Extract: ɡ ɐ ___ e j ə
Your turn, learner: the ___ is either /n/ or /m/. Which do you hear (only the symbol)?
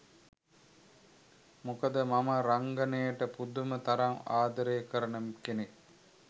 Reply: n